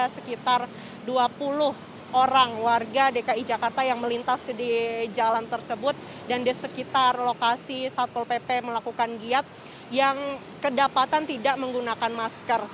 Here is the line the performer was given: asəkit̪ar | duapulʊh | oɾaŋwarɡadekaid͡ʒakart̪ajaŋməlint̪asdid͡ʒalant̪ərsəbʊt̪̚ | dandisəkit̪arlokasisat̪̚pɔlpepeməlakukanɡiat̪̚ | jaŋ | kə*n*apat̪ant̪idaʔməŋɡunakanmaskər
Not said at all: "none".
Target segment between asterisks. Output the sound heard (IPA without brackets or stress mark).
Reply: d